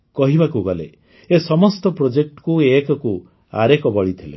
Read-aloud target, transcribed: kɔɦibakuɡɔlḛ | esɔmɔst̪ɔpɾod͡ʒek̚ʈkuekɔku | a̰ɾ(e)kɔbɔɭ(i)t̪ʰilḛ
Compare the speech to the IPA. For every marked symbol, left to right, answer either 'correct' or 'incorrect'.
correct, correct

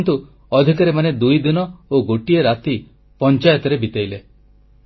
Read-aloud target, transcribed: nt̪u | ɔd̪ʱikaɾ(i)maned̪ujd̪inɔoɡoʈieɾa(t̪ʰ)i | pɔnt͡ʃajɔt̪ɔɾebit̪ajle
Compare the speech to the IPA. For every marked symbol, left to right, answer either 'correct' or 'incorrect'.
incorrect: e, incorrect: t̪

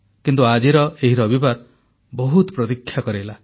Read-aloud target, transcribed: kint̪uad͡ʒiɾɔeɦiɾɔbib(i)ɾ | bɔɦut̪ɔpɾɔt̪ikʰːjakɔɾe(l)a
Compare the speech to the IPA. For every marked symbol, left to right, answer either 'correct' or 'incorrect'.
incorrect: a, correct

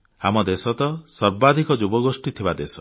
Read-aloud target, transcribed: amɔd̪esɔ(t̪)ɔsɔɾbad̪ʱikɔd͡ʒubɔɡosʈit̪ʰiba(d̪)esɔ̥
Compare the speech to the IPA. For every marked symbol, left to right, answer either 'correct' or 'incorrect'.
correct, correct

